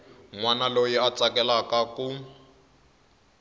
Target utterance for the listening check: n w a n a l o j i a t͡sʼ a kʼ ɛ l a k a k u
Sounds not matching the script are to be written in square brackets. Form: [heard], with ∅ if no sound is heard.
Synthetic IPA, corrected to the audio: [ŋ] w a n a l o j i a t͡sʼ a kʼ ɛ l a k a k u